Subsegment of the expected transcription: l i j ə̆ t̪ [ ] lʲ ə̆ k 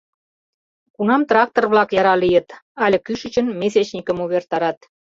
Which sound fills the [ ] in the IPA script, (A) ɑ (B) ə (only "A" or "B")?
A